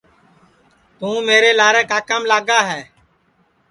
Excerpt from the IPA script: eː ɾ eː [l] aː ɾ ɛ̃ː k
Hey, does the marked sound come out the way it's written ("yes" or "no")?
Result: yes